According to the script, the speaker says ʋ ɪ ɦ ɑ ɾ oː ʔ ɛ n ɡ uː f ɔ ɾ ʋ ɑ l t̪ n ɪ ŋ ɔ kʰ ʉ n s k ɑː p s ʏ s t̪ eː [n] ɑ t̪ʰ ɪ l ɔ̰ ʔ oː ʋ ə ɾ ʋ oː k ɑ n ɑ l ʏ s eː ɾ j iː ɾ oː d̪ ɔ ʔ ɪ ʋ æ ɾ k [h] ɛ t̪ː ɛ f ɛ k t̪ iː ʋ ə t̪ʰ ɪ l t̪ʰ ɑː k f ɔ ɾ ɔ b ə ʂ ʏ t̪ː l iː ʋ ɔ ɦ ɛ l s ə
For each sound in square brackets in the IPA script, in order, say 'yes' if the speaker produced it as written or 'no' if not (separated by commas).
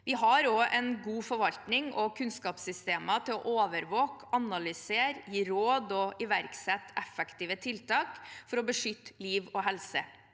no, no